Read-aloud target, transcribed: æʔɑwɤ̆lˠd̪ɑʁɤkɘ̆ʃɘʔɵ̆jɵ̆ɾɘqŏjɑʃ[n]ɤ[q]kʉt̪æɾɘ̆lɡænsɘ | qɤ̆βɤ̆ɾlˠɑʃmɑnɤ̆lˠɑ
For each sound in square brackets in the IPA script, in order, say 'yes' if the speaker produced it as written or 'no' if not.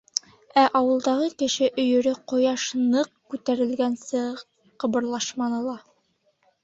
yes, yes

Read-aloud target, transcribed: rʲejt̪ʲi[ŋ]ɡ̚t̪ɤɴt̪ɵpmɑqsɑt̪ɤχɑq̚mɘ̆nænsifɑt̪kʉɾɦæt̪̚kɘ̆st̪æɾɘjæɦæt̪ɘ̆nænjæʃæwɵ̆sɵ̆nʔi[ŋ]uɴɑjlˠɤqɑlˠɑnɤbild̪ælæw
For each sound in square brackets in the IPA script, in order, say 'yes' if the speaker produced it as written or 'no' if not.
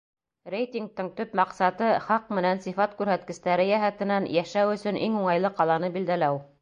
yes, yes

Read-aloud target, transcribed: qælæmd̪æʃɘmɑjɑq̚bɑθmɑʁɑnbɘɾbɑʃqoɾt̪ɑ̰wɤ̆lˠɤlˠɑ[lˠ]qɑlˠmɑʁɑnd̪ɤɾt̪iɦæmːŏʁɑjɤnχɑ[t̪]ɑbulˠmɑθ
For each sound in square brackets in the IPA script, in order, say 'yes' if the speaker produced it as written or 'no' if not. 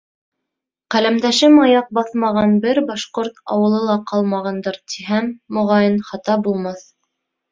no, yes

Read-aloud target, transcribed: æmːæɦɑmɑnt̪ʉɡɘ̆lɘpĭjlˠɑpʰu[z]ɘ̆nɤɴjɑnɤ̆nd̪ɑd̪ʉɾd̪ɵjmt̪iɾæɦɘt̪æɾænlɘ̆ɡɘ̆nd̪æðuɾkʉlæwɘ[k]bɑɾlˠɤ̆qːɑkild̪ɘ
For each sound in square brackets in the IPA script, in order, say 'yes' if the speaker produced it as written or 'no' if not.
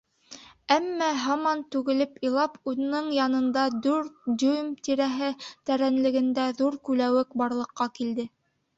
no, yes

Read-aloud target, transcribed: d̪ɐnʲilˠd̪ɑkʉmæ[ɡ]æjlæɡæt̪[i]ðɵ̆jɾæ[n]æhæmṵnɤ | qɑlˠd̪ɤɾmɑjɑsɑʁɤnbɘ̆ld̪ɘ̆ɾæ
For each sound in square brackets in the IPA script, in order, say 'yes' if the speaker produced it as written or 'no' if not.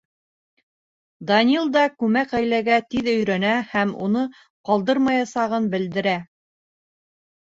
no, yes, yes

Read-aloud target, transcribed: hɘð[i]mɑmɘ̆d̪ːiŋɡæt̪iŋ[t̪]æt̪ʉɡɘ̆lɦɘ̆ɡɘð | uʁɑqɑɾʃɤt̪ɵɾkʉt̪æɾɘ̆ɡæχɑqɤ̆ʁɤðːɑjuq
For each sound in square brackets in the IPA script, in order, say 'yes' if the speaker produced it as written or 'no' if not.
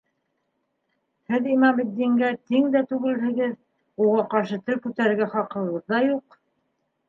yes, no

